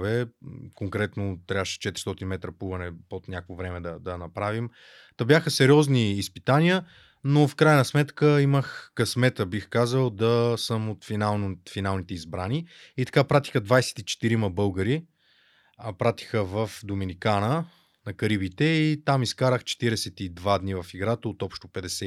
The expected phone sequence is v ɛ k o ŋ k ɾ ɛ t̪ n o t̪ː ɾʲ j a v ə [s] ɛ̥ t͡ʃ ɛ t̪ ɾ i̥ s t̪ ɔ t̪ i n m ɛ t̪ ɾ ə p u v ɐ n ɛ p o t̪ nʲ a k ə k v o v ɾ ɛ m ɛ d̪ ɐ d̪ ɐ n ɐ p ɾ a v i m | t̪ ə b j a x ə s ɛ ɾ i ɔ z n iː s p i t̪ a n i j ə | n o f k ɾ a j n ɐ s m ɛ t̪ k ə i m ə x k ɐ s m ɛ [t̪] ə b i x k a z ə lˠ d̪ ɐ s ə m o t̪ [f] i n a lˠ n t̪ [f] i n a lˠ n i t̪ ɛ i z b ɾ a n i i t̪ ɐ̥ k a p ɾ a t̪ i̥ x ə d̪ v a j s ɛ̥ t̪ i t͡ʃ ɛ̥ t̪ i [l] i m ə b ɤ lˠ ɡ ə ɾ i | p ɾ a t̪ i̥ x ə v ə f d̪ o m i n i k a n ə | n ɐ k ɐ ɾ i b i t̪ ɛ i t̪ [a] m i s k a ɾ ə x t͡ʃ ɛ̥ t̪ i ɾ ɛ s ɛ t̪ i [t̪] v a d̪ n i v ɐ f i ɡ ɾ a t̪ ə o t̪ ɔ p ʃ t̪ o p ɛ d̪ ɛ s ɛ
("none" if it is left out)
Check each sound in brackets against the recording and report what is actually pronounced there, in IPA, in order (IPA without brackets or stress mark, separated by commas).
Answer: ʃ, t̪, f, f, ɾ, a, d̪